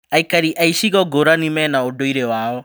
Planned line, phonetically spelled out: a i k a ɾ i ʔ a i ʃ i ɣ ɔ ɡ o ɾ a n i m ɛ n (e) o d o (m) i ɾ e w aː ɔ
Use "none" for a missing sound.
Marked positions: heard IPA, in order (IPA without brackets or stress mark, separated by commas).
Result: a, none